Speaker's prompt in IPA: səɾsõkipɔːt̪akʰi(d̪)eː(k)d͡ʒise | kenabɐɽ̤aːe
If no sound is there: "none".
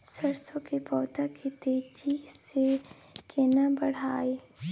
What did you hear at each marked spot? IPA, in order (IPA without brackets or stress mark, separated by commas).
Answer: t̪, none